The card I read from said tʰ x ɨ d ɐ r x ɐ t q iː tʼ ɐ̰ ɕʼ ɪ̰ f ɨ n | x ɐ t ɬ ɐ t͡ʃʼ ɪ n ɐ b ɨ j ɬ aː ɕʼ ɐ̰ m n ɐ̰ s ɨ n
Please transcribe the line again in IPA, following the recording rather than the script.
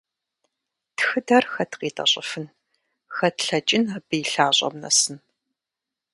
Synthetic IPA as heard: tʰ x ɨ d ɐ r x ɐ t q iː tʼ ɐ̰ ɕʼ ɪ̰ f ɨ n | x ɐ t ɬ ɐ t͡ʃʼ ɪ n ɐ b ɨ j ɬ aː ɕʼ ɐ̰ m n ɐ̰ s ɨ n